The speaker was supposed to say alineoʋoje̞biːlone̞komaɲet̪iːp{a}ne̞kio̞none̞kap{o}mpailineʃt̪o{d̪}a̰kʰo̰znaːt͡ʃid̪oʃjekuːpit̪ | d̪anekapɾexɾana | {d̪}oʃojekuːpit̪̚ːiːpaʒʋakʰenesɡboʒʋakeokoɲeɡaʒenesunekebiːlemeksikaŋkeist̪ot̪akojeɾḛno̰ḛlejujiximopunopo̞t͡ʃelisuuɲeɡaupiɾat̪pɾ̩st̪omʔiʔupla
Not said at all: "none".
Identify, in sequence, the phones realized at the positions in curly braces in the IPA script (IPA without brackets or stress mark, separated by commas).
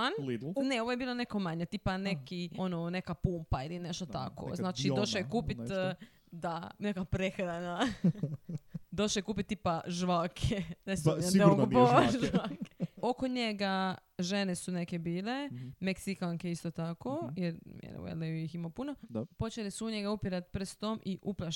a, u, t̪, d̪